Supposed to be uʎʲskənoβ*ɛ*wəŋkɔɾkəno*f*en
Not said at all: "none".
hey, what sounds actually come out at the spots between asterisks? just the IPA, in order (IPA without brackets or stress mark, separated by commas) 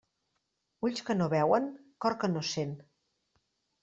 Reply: ɛ, s